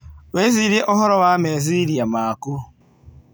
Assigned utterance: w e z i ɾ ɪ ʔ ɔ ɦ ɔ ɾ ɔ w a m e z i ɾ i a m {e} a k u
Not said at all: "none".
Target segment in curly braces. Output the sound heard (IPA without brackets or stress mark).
a